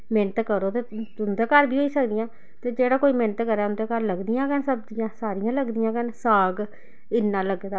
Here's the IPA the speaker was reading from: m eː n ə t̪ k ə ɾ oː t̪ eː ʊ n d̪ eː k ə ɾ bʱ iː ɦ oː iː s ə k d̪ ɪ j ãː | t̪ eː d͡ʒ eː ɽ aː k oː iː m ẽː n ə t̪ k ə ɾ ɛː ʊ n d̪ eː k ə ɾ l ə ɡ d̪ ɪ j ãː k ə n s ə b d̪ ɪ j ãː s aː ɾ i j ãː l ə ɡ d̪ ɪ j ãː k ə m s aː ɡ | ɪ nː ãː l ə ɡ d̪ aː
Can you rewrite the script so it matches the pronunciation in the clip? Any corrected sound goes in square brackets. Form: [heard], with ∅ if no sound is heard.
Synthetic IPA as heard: m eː n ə t̪ k ə ɾ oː t̪ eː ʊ n d̪ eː k ə ɾ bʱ iː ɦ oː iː s ə k d̪ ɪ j ãː | t̪ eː d͡ʒ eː ɽ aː k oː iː m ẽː n ə t̪ k ə ɾ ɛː ʊ n d̪ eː k ə ɾ l ə ɡ d̪ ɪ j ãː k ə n s ə b d̪ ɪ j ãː s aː ɾ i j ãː l ə ɡ d̪ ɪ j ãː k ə [n] s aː ɡ | ɪ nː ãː l ə ɡ d̪ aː